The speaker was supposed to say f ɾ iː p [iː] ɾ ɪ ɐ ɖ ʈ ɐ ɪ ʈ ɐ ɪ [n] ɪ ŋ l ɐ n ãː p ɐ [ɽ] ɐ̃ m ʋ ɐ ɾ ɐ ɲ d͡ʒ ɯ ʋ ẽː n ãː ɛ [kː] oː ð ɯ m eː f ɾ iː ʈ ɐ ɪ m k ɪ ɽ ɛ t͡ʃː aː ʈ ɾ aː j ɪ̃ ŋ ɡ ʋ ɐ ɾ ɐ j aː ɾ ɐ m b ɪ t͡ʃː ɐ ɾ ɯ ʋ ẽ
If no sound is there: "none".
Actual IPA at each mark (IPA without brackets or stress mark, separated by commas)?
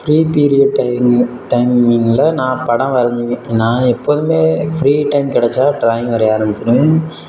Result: iː, m, ɽ, pː